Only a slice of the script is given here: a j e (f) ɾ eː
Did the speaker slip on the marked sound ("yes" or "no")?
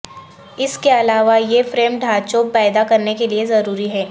no